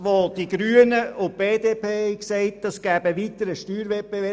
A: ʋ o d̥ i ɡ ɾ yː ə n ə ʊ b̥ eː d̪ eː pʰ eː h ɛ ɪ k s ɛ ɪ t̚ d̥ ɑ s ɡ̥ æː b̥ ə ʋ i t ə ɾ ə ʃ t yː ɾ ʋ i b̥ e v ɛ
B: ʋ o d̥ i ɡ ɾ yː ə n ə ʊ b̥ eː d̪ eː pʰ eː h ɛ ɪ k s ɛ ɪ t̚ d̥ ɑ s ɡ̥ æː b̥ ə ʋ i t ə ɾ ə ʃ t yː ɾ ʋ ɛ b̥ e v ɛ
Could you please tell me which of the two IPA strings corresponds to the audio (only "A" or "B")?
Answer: B